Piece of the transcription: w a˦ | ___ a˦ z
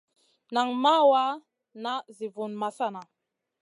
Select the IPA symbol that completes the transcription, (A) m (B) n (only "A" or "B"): B